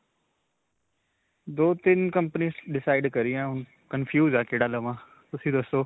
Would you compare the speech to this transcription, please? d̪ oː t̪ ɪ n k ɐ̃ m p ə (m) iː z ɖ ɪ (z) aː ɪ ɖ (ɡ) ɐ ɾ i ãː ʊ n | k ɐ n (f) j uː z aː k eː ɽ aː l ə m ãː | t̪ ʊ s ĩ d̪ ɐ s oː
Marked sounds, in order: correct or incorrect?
incorrect: n, incorrect: s, incorrect: k, correct

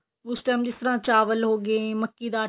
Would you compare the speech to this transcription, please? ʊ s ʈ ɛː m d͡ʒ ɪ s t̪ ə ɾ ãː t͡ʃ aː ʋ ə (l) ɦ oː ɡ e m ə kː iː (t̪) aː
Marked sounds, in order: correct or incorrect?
correct, incorrect: d̪

